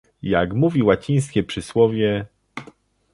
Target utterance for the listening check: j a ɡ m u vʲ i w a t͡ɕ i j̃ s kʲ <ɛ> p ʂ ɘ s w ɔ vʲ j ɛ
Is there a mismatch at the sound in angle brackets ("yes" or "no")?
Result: no